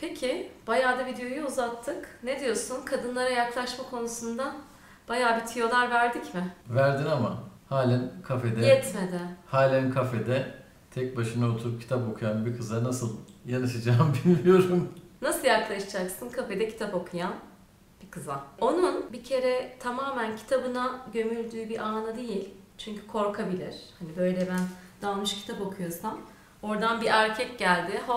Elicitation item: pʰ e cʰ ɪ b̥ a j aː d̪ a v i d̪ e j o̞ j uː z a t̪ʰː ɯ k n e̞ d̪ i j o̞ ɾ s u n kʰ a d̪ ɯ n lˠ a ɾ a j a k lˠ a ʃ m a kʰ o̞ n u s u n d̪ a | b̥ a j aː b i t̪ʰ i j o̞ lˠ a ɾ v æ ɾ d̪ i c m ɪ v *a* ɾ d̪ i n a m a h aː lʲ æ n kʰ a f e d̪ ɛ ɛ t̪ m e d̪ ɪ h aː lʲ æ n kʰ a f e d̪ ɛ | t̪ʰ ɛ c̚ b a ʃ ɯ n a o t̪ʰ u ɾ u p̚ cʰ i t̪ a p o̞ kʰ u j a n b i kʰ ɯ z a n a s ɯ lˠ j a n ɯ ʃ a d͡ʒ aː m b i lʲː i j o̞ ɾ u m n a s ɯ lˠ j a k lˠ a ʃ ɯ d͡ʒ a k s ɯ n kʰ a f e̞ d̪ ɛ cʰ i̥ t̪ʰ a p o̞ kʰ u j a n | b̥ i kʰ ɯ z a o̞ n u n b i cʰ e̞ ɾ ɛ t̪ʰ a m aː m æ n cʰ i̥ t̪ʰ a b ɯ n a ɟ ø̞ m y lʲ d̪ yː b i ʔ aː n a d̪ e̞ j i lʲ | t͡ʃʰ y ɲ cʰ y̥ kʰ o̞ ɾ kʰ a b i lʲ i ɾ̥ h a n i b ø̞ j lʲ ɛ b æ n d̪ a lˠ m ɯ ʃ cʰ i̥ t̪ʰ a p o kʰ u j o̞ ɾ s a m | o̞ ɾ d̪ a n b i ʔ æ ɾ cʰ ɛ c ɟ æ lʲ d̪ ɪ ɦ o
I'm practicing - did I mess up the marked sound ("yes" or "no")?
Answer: yes